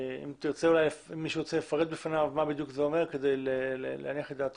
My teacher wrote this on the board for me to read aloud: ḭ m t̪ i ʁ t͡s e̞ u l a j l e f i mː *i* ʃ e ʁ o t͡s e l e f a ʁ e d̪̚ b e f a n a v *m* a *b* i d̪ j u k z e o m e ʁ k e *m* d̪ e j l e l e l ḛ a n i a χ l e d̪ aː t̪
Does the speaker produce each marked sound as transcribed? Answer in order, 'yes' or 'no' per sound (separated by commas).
yes, yes, yes, no